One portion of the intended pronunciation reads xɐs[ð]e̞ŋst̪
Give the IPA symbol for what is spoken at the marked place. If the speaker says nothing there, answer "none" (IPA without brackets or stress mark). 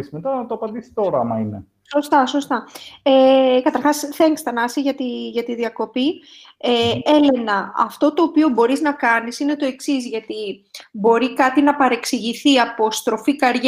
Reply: θ